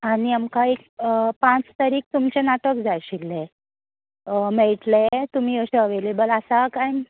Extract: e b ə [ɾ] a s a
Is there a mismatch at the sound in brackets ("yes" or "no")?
yes